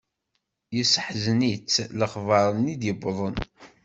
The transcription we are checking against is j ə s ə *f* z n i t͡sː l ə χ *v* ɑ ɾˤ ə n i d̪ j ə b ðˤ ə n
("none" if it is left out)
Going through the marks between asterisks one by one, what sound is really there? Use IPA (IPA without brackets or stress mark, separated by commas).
ħ, v